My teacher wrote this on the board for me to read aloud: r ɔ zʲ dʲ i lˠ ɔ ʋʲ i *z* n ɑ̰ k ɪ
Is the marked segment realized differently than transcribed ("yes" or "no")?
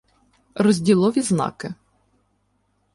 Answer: no